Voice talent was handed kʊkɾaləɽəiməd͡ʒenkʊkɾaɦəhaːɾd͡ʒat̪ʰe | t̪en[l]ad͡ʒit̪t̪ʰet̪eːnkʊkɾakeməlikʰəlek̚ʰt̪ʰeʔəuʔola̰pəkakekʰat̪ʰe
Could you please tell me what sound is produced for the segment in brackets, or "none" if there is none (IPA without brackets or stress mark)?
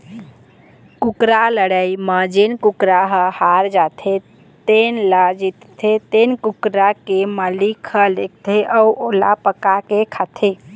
l